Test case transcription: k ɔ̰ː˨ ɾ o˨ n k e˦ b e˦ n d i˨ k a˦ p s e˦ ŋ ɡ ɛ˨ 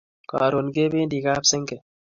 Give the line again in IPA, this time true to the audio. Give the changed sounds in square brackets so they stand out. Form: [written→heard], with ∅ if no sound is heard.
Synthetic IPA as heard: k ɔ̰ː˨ ɾ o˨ n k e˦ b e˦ n d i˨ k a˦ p s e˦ ŋ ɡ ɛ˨